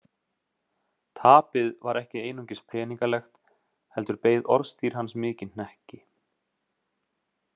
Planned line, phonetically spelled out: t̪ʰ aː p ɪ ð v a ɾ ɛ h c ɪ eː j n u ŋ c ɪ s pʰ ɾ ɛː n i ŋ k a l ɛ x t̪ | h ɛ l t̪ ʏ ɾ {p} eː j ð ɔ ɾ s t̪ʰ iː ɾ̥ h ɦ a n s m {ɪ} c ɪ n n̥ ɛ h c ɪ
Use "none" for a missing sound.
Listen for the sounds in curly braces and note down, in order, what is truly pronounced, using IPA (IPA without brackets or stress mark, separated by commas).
p, ɪː